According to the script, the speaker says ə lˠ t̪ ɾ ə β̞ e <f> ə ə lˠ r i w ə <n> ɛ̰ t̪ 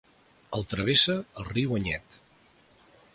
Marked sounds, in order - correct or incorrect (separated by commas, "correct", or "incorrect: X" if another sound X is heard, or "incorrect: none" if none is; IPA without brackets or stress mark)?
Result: incorrect: s, incorrect: ɲ